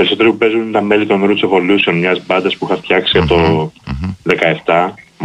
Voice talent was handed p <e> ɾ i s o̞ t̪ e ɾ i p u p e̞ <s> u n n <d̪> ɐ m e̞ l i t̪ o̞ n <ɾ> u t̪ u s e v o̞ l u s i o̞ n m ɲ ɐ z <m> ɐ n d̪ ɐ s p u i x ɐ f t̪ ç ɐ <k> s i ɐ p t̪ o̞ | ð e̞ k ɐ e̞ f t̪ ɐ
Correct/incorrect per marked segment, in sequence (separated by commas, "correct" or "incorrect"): correct, incorrect, incorrect, correct, incorrect, correct